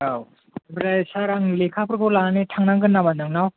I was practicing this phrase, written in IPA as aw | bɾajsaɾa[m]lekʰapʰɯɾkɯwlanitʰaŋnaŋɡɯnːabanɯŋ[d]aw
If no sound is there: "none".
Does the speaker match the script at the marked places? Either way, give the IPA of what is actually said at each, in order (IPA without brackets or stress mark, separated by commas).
ŋ, n